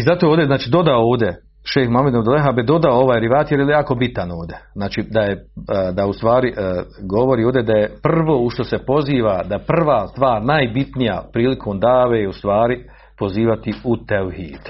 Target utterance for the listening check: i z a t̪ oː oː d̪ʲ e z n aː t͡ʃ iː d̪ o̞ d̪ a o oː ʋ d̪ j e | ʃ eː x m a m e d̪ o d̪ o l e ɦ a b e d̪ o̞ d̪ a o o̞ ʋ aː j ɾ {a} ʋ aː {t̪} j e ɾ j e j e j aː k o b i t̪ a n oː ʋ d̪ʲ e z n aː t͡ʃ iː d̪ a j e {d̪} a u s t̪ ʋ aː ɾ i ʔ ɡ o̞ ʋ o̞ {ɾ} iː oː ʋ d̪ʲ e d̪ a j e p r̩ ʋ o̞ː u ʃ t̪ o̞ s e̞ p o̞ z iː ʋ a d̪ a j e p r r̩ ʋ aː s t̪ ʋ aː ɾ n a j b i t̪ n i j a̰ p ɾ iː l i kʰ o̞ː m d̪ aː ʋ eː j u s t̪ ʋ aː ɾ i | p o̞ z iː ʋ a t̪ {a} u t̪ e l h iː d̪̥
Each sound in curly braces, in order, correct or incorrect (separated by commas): incorrect, correct, correct, correct, incorrect